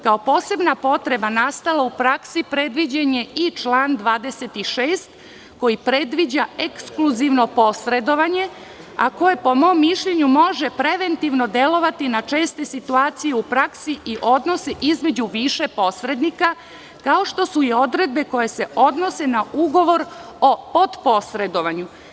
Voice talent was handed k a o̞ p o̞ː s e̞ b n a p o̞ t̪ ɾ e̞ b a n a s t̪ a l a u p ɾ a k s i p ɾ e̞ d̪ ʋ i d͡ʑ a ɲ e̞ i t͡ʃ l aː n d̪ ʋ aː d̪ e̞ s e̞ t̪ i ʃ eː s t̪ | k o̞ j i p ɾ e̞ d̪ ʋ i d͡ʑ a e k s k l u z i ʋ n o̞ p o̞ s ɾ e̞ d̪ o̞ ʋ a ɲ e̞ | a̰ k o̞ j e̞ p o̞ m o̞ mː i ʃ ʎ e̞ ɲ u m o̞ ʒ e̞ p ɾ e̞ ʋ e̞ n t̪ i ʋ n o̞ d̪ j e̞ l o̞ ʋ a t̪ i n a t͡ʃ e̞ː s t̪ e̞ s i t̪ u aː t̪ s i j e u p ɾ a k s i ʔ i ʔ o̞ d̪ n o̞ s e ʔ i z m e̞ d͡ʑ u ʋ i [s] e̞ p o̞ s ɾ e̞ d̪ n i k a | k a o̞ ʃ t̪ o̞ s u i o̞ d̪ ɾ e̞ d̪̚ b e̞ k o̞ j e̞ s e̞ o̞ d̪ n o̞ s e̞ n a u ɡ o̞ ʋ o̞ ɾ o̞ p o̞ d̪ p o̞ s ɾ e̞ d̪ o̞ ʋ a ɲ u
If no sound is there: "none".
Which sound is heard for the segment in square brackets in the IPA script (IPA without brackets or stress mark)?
ʃ